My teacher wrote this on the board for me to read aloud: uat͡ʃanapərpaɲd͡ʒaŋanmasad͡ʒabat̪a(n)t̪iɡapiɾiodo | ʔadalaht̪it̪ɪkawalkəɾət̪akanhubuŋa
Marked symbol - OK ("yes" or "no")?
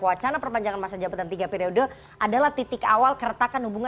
yes